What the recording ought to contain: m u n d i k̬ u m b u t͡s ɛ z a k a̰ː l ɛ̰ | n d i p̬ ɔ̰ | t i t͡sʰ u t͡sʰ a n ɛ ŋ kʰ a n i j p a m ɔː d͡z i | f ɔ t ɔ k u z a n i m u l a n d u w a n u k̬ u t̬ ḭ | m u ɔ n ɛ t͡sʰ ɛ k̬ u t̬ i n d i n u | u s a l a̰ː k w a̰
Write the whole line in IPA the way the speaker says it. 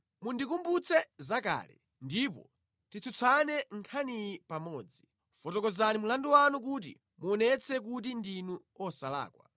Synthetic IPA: m u n d i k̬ u m b u t͡s ɛ z a k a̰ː l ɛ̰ | n d i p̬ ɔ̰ | t i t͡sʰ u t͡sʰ a n ɛ ŋ kʰ a n i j p a m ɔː d͡z i | f ɔ t ɔ k ɔ z a n i m u l a n d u w a n u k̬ u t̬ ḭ | m u ɔ n ɛ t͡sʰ ɛ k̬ u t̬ i n d i n u | ɔ s a l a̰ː k w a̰